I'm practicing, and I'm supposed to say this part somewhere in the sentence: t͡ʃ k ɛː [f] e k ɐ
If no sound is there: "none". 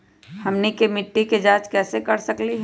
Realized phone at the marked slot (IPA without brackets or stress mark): s